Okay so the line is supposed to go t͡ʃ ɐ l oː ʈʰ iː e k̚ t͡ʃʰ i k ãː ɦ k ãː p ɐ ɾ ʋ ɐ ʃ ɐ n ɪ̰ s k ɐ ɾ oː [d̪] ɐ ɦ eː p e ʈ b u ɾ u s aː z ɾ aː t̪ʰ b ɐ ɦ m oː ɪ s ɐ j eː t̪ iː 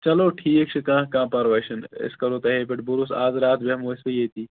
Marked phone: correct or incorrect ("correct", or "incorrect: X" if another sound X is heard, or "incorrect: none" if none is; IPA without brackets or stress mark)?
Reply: incorrect: t̪